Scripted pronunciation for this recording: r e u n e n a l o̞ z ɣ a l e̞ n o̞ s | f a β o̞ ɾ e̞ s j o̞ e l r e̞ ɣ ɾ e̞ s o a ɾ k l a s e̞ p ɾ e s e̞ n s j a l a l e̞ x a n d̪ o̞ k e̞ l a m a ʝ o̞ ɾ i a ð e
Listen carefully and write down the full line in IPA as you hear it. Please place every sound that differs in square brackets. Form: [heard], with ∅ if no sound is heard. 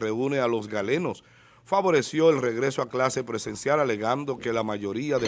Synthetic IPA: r e u n e [∅] a l o̞ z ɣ a l e̞ n o̞ s | f a β o̞ ɾ e̞ s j o̞ e l r e̞ ɣ ɾ e̞ s o a [∅] k l a s e̞ p ɾ e s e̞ n s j a l a l e̞ [ɣ] a n d̪ o̞ k e̞ l a m a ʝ o̞ ɾ i a ð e